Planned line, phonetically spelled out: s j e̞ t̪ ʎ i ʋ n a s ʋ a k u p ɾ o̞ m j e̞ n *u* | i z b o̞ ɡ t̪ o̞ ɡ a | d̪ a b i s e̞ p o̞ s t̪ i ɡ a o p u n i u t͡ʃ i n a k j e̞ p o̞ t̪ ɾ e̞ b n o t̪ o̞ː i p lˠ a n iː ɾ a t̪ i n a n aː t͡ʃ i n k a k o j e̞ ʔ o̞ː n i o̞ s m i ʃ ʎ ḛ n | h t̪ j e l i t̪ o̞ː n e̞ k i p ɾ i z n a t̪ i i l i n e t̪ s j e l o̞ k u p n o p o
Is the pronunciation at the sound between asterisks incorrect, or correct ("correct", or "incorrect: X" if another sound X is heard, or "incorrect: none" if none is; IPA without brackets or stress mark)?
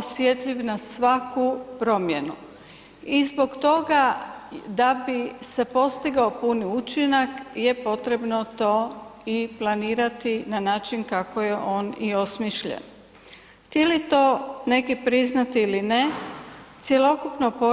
correct